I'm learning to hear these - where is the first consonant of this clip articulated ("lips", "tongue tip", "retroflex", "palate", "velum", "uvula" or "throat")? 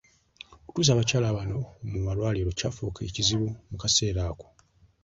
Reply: velum